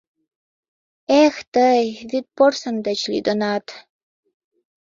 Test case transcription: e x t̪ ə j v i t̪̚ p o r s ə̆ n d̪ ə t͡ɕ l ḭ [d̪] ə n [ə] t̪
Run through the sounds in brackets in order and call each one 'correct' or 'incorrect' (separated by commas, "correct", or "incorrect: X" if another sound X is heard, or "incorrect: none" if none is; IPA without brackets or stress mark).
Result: correct, incorrect: ɑ